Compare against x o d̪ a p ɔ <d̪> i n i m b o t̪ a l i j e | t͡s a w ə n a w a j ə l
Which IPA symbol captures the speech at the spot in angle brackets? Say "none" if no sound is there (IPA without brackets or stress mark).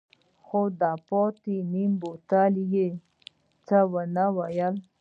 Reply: t̪